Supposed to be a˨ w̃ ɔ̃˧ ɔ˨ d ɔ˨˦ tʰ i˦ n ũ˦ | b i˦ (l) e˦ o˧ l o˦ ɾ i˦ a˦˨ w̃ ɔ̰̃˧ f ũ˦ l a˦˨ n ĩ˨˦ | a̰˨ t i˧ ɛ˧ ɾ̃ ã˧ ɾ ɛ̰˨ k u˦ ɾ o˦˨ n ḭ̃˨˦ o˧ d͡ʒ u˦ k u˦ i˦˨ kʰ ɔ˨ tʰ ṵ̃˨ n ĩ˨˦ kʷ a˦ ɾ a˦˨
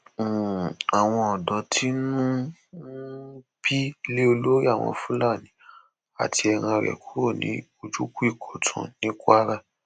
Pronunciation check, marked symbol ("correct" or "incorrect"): correct